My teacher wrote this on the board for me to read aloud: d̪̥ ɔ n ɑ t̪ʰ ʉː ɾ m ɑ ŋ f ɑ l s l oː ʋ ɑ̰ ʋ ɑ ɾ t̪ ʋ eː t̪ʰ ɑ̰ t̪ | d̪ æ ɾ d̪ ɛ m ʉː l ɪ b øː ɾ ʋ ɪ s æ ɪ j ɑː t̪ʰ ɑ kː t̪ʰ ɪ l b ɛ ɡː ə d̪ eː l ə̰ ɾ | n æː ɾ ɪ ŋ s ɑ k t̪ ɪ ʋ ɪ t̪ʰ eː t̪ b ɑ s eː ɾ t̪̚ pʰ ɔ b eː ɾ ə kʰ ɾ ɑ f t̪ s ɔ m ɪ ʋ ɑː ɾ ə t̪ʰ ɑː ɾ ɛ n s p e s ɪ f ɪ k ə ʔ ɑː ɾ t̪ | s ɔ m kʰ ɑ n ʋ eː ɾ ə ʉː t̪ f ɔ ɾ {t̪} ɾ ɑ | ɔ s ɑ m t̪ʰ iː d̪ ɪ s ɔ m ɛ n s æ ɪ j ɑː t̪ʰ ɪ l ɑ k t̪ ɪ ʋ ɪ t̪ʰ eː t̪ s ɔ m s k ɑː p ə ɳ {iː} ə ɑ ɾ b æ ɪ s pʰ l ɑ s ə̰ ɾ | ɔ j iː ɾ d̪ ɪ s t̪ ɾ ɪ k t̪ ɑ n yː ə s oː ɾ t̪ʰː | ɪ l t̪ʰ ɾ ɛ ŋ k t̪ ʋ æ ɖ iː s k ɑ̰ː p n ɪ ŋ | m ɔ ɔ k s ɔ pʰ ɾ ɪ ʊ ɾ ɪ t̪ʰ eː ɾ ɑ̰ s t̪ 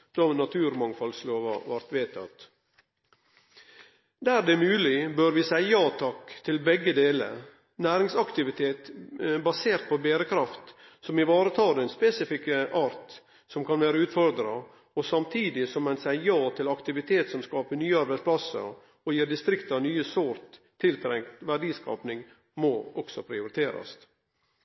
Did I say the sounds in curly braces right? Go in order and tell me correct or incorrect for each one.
incorrect: d̪, incorrect: yː

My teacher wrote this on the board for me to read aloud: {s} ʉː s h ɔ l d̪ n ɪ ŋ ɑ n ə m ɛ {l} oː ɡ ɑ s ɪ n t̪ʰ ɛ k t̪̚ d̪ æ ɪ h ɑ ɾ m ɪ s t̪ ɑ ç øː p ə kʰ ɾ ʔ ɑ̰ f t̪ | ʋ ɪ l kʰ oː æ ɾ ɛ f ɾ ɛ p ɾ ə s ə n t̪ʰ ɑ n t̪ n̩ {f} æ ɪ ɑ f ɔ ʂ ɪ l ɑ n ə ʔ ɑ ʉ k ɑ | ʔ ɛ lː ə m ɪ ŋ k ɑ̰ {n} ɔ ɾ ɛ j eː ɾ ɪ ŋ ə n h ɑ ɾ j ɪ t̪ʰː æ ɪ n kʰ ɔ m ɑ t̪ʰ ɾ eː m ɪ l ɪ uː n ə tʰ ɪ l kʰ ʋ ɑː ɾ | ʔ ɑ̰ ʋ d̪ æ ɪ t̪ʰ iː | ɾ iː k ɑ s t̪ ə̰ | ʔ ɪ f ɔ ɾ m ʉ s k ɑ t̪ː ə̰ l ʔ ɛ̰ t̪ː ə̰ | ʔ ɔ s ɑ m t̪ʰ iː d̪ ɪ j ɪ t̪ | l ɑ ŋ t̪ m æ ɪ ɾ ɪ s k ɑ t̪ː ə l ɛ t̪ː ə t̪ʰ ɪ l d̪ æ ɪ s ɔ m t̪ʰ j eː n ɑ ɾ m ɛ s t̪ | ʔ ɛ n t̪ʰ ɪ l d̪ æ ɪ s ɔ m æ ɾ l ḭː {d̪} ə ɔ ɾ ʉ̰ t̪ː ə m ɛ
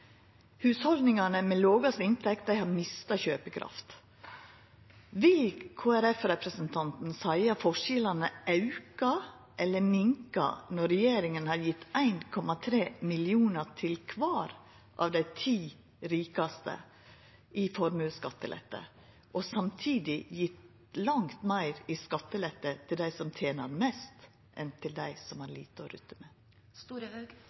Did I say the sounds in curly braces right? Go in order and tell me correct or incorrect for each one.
incorrect: h, correct, incorrect: s, correct, incorrect: t̪

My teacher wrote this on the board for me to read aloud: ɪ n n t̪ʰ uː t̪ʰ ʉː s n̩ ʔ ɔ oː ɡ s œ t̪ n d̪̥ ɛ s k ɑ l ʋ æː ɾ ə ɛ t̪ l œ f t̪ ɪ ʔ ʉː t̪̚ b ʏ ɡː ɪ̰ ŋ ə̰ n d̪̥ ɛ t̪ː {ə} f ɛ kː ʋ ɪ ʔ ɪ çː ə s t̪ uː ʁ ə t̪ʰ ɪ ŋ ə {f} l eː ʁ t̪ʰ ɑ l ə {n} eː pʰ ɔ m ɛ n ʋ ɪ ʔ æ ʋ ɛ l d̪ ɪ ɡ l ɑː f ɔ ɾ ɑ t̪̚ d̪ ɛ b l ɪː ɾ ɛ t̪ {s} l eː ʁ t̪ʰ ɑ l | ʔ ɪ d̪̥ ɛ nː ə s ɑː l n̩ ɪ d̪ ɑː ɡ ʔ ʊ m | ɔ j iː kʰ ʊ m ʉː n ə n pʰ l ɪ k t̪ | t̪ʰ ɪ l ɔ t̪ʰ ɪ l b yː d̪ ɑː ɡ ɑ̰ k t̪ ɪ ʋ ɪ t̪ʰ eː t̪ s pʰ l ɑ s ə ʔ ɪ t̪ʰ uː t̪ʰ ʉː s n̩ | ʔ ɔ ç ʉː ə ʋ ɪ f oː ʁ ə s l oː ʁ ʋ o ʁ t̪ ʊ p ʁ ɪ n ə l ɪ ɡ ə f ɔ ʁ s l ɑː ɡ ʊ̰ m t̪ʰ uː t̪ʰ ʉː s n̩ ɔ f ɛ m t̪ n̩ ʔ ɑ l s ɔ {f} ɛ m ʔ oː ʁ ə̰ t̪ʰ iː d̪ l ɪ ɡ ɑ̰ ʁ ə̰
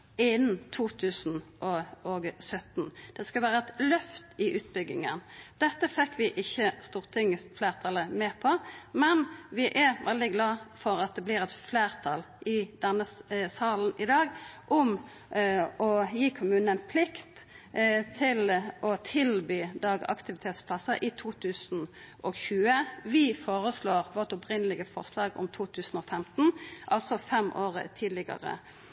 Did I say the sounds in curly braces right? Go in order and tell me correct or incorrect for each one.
correct, correct, incorrect: m, incorrect: f, correct

